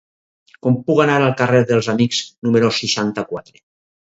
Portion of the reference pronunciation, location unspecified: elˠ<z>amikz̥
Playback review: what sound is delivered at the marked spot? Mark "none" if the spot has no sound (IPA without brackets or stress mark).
z